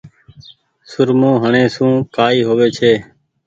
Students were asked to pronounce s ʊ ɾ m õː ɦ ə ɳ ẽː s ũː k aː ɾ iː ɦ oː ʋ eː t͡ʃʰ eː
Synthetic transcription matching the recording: s ʊ ɾ m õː ɦ ə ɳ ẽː s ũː k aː iː ɦ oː ʋ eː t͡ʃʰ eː